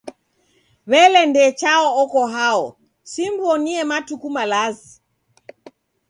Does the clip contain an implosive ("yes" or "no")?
no